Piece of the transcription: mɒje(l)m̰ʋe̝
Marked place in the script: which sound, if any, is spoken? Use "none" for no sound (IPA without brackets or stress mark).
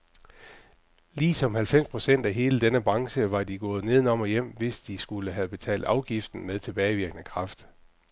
none